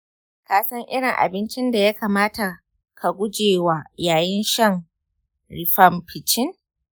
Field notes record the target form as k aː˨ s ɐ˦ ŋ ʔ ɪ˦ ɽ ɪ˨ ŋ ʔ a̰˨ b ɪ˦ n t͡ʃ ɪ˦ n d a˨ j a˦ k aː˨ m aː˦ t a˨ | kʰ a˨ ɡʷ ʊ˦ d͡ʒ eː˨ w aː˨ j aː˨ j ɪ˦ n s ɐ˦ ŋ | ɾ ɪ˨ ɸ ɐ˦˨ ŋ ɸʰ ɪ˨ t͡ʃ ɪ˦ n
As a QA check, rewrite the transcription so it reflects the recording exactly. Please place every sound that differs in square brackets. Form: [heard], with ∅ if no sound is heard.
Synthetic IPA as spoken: k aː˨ s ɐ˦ ŋ ʔ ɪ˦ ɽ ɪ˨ ŋ ʔ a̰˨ b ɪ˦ n t͡ʃ ɪ˦ n d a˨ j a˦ k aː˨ m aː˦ t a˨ | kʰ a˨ ɡʷ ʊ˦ d͡ʒ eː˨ w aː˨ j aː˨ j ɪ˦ n [ʃ] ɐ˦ ŋ | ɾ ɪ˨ ɸ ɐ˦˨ [m] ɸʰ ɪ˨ t͡ʃ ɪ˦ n